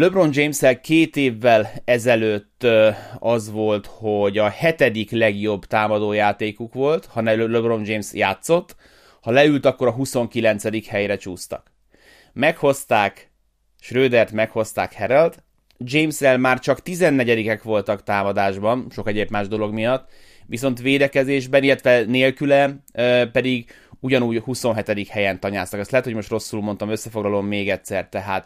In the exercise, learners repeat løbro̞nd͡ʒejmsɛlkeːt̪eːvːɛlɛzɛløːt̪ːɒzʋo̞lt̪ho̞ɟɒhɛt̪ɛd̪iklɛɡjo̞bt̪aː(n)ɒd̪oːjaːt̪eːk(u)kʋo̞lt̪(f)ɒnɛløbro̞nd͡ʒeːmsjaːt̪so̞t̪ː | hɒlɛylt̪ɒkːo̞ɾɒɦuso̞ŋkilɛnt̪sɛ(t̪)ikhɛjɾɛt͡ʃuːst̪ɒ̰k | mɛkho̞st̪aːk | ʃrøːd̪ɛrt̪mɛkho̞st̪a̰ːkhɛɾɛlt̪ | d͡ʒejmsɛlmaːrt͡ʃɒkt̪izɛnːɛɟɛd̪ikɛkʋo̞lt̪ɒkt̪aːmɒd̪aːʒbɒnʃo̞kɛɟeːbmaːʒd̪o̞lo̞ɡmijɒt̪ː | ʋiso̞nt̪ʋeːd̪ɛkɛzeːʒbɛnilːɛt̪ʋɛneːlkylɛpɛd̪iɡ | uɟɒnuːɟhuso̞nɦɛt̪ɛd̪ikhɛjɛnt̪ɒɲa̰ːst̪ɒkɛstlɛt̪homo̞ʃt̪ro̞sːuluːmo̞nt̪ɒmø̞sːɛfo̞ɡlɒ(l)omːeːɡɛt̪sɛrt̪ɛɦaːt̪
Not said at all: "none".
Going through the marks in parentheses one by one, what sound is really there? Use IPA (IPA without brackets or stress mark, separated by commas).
m, u, h, d̪, l